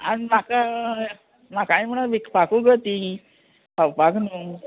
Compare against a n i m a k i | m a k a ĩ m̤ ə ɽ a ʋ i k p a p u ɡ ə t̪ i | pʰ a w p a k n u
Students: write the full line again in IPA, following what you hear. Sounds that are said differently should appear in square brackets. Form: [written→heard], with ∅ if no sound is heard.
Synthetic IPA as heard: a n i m a k [i→a] | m a k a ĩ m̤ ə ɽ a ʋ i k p a [p→k] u ɡ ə t̪ i | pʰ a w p a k n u